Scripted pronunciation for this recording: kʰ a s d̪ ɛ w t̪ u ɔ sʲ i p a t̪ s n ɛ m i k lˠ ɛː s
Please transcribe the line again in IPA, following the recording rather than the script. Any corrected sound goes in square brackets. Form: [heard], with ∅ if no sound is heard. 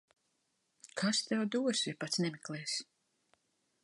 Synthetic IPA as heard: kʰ a s [t̪] ɛ w [d̪] u ɔ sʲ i p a t̪ s n ɛ m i k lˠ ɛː s